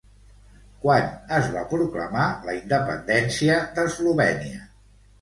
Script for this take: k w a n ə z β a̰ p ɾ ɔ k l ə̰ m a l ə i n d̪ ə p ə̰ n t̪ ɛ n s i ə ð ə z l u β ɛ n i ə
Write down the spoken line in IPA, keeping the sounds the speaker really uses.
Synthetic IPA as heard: k w a n ə z β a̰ p ɾ u k l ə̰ m a l ə i n d̪ ə p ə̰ n d̪ ɛ n s i ə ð ə z l u β ɛ n i ə